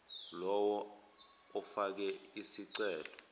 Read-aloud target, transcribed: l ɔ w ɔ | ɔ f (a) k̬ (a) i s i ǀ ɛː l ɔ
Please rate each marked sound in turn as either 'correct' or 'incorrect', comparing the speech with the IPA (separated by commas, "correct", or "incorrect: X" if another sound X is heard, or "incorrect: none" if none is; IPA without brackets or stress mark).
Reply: correct, incorrect: ɛ